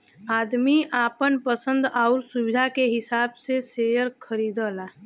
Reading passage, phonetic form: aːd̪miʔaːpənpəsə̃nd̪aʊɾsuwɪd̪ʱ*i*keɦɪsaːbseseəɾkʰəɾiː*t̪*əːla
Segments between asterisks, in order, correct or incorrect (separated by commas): incorrect, incorrect